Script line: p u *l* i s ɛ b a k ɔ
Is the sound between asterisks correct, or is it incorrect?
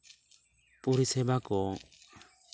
incorrect